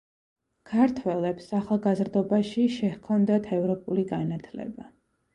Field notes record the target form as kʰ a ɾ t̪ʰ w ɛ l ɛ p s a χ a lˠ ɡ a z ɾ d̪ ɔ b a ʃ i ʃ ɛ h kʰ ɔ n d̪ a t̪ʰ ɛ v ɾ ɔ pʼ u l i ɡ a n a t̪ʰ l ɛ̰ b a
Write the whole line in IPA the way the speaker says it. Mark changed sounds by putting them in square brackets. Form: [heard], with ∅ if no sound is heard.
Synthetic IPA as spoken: kʰ a ɾ t̪ʰ w ɛ l ɛ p s a χ a lˠ ɡ a z ɾ d̪ ɔ b a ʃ i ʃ ɛ h kʰ ɔ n d̪ a t̪ʰ ɛ v ɾ ɔ pʼ u l i ɡ a n a t̪ʰ l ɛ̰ b a